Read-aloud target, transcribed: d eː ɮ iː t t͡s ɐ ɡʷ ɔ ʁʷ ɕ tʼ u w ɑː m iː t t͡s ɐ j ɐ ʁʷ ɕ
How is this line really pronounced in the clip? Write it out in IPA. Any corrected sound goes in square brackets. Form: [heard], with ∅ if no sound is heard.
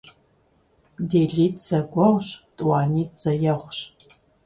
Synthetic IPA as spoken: d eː ɮ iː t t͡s ɐ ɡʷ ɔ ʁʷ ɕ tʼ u w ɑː [n] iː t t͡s ɐ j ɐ ʁʷ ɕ